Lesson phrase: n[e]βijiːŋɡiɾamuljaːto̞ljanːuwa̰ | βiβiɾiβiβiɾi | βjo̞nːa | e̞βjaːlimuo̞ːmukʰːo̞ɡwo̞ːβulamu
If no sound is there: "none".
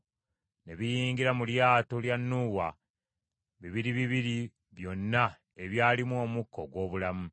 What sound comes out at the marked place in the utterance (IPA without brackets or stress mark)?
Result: e